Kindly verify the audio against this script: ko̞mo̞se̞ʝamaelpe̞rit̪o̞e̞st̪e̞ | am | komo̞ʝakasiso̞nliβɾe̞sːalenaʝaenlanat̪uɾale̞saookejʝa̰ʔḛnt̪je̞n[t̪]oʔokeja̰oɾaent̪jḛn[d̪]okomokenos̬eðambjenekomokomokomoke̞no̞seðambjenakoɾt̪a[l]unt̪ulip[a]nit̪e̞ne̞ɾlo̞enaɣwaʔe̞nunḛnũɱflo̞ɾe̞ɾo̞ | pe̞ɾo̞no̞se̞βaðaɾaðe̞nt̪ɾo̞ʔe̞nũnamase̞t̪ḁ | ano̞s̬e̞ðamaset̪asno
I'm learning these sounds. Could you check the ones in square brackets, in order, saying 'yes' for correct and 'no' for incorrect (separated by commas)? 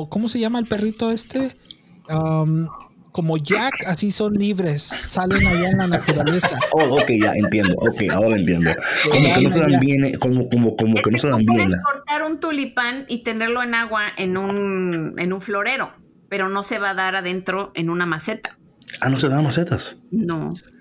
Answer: no, yes, no, yes